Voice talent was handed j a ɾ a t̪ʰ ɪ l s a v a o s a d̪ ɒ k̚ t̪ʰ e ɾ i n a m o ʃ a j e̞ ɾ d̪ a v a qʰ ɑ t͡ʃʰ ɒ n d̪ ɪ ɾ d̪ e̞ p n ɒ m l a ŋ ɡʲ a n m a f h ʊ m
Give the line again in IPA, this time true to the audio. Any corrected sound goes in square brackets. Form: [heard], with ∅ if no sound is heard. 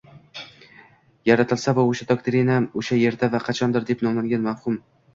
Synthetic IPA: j a ɾ a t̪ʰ ɪ l s a v a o [ʃ] a d̪ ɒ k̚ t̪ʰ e ɾ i n a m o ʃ a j e̞ ɾ d̪ a v a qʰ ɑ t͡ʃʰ ɒ n d̪ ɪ ɾ d̪ e̞ p n ɒ m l a ŋ ɡʲ a n m a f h ʊ m